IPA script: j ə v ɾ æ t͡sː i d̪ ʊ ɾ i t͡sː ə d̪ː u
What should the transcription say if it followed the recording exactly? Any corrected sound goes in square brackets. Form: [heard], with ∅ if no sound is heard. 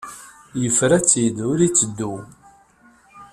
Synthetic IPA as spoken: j ə [f] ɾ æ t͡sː i d̪ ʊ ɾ i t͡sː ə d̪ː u